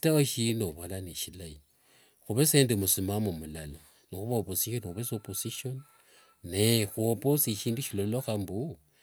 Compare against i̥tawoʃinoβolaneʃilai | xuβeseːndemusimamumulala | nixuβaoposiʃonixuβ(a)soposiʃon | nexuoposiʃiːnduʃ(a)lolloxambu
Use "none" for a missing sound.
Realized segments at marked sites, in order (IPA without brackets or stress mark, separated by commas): e, i